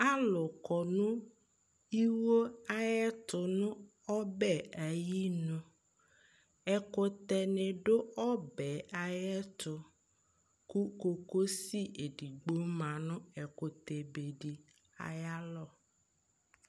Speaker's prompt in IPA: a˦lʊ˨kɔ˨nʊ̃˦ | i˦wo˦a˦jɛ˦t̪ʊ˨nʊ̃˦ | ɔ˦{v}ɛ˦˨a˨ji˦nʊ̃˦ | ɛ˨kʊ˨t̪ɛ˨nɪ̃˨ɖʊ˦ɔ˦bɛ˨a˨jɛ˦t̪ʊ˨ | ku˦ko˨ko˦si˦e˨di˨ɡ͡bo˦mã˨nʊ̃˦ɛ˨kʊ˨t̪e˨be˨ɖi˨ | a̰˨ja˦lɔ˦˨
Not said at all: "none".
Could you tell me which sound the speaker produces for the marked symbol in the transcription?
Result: b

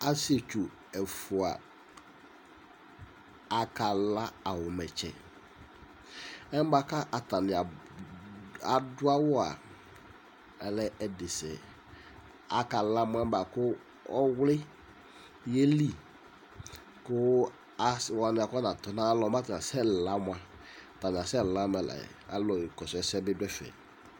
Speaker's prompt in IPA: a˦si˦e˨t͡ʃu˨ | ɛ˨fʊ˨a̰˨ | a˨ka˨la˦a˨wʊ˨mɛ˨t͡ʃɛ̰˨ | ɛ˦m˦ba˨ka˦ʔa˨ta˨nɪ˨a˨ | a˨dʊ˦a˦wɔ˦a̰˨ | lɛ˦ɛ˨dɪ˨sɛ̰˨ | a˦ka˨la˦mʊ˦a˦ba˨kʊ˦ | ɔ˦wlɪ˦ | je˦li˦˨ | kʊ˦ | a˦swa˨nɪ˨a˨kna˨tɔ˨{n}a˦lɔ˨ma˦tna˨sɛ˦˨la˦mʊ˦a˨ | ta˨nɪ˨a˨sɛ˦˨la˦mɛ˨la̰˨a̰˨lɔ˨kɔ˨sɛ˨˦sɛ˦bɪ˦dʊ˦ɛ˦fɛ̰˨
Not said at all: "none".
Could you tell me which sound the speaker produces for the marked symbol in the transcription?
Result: n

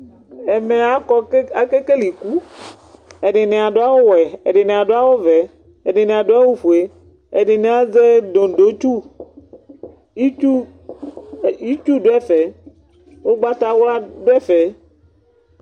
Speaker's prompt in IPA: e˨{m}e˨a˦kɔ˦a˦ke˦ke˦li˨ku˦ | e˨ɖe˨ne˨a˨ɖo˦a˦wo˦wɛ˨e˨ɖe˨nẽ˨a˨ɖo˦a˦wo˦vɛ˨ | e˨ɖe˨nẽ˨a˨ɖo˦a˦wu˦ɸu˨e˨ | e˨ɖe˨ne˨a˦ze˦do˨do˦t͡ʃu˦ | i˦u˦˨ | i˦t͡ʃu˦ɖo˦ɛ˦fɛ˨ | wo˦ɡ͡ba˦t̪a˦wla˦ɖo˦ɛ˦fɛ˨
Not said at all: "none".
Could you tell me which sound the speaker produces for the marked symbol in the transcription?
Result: m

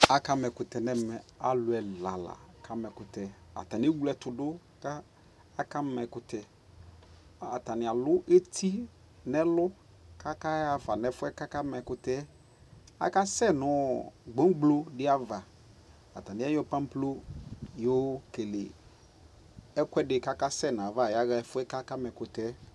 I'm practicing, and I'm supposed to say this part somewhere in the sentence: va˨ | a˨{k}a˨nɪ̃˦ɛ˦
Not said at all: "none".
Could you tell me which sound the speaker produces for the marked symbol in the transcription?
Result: t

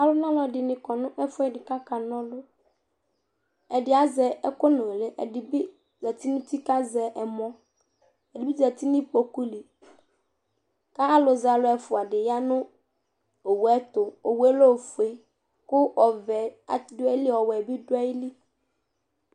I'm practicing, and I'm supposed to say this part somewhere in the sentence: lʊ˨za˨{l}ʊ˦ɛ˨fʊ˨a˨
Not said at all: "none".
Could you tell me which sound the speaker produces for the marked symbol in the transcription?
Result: l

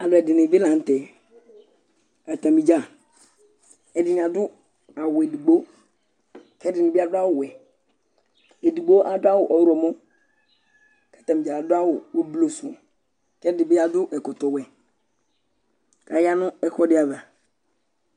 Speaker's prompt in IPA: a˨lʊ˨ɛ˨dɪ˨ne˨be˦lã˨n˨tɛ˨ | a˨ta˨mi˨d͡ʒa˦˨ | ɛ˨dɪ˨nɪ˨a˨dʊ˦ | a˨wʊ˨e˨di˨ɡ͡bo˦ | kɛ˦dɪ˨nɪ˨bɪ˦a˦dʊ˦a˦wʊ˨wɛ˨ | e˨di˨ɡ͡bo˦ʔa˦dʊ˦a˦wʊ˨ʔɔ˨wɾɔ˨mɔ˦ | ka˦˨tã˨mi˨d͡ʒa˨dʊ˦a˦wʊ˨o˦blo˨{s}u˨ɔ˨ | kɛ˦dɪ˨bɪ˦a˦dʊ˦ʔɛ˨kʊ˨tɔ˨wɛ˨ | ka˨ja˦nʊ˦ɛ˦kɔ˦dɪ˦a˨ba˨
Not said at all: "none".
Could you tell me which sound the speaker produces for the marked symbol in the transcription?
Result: s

